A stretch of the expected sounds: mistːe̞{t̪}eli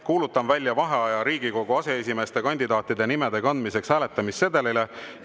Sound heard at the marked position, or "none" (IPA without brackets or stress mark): d̪